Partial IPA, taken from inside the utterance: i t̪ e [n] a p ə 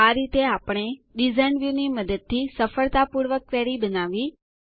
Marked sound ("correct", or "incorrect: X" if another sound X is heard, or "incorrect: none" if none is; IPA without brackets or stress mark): incorrect: none